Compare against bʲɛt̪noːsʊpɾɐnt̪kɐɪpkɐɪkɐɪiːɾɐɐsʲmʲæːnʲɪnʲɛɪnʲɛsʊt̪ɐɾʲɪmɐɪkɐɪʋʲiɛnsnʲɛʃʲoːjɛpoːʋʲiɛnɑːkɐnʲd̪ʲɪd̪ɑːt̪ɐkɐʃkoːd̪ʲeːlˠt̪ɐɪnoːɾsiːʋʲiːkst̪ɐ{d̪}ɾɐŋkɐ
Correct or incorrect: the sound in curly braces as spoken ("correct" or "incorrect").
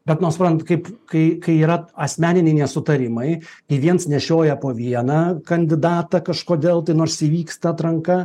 incorrect